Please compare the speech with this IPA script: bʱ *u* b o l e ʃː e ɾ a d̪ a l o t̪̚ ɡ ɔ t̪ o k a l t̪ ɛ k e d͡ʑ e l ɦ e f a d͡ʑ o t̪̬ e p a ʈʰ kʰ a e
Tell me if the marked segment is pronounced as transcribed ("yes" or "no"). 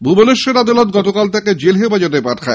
yes